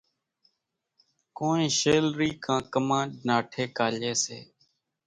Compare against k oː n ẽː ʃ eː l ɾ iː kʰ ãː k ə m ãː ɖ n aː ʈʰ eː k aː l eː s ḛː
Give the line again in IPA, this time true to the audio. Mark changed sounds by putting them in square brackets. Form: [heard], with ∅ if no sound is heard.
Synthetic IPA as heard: k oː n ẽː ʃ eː l ɾ iː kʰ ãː k ə m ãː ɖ n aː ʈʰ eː k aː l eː s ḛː